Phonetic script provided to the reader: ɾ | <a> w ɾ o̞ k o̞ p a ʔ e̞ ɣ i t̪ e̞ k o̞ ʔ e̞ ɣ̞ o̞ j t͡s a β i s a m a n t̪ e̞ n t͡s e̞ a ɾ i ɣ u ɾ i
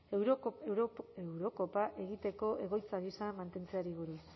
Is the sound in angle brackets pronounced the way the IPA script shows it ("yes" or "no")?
no